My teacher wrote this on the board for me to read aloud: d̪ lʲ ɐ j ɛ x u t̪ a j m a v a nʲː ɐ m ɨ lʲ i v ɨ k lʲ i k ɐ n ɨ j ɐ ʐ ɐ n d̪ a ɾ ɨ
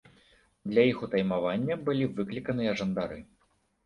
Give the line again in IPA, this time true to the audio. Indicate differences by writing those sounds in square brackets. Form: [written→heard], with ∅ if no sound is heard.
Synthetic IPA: d̪ lʲ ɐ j [ɛ→i] x u t̪ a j m a v a nʲː ɐ [m→b] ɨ lʲ i v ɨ k lʲ i k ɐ n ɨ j ɐ ʐ ɐ n d̪ a ɾ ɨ